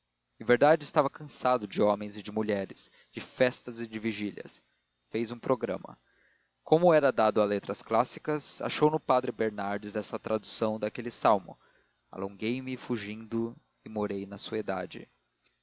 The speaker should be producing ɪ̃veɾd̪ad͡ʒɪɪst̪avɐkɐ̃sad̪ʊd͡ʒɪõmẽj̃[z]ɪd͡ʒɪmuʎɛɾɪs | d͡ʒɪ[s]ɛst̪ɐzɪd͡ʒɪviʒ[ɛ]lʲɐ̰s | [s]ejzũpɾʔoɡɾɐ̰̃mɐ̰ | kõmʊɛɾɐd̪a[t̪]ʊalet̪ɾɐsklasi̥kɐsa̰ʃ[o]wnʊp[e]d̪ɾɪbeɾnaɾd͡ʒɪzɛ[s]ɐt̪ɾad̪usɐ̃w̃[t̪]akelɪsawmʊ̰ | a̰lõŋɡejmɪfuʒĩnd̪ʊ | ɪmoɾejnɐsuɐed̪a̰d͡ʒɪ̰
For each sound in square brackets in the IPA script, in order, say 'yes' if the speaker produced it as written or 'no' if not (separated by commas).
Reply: yes, no, no, no, no, yes, no, yes, no